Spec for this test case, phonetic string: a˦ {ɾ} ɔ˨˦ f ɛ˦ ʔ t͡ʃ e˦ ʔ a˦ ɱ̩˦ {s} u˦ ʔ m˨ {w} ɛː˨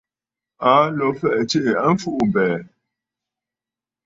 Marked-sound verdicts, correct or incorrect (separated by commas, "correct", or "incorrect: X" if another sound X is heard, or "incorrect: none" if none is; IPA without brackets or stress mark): incorrect: l, incorrect: f, incorrect: b